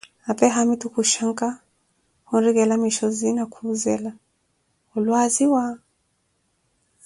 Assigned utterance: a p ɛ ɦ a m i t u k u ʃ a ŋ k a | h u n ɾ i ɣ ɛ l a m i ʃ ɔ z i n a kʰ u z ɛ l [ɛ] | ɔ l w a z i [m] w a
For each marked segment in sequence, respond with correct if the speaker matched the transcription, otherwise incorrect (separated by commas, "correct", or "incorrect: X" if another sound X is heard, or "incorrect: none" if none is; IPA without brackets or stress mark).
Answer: incorrect: a, incorrect: none